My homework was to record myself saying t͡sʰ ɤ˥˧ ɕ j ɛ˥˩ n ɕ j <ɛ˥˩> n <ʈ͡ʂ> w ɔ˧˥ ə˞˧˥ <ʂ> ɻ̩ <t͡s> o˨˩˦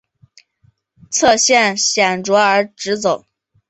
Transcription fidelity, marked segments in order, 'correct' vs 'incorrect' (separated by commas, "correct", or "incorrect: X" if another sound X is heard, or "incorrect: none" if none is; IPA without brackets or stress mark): incorrect: ɛ˨˩, correct, incorrect: ʈ͡ʂ, correct